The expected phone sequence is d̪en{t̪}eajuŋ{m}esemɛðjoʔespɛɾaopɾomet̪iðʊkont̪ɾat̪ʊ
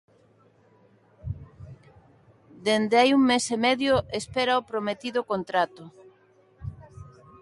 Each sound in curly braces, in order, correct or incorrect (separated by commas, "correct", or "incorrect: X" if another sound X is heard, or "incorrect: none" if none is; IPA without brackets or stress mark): incorrect: d̪, correct